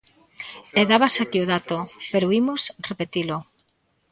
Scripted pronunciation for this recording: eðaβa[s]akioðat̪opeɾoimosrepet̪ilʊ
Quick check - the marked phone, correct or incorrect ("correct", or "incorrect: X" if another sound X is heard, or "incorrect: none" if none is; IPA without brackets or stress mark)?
correct